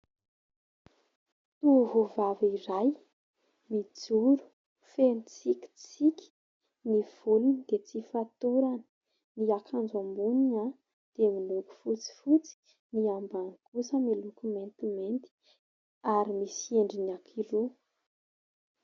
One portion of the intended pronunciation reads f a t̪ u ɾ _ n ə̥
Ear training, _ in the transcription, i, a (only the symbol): a